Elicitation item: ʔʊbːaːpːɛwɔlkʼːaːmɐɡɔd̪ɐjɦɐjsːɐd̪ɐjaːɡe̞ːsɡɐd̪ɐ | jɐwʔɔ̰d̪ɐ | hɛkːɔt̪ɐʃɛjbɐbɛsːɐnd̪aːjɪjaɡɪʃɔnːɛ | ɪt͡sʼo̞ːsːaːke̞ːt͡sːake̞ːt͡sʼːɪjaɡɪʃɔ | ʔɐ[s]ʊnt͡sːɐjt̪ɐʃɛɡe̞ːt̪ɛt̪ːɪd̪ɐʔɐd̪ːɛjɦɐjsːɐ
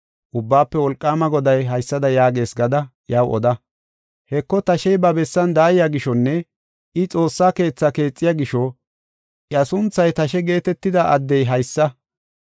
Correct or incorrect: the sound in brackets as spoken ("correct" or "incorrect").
correct